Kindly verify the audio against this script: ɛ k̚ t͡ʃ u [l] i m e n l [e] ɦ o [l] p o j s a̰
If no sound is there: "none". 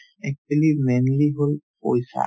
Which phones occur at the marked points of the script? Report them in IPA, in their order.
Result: l, i, l

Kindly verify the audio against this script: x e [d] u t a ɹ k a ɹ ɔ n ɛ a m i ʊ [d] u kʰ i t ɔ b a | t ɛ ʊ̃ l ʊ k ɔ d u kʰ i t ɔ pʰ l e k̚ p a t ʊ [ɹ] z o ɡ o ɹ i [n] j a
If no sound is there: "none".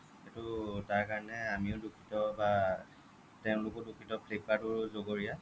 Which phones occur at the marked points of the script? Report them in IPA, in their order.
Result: t, d, ɹ, none

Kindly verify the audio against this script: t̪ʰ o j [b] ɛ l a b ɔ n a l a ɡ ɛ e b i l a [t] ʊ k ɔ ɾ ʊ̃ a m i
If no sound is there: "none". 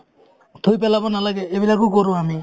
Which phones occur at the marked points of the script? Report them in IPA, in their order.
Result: p, k

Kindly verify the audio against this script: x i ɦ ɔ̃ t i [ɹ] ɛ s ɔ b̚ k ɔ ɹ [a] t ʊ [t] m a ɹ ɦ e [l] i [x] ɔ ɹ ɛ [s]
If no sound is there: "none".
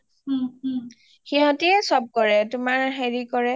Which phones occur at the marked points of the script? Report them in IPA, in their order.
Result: none, ɛ, none, ɹ, k, none

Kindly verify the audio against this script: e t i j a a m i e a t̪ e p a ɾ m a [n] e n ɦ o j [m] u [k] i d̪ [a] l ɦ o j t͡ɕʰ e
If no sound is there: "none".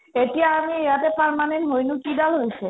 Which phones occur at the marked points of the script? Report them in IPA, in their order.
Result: n, n, k, a

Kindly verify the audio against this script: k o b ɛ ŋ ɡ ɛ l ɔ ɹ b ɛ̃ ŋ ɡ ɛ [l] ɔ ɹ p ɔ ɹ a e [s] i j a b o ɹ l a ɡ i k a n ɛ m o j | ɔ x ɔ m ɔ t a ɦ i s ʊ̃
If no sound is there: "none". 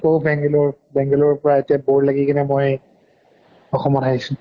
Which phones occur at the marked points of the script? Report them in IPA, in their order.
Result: l, t

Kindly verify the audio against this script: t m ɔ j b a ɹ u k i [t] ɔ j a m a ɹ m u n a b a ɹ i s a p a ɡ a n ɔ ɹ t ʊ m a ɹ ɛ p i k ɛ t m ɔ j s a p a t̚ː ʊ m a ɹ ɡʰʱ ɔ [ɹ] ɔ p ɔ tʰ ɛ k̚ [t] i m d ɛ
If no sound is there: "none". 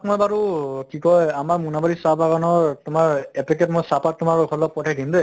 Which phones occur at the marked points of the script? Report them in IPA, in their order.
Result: k, l, d

